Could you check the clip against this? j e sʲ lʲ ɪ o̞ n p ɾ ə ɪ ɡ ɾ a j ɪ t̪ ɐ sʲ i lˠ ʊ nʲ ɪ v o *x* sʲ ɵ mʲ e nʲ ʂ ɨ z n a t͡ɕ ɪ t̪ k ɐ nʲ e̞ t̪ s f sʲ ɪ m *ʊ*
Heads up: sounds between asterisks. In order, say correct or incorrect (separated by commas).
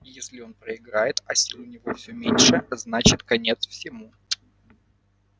incorrect, incorrect